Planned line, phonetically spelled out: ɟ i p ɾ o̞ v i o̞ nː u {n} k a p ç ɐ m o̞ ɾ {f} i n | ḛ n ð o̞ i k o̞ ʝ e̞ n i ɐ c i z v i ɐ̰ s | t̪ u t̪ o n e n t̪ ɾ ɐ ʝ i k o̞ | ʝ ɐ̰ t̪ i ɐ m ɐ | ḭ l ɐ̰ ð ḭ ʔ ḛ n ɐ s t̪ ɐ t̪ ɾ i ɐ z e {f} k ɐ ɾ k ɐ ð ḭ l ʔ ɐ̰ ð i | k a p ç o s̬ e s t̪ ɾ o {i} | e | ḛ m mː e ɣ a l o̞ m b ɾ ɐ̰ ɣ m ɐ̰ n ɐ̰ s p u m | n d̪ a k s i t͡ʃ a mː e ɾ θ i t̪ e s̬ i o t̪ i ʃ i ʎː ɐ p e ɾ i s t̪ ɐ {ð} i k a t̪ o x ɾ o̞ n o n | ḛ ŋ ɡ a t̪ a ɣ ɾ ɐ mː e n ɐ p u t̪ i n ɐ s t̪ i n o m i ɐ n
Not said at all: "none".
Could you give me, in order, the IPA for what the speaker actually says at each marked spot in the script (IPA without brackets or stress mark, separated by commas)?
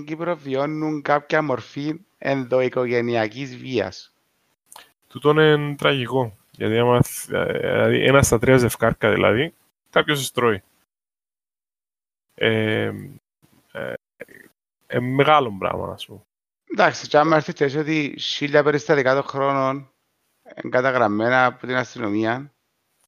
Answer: ŋ, f, f, i, ð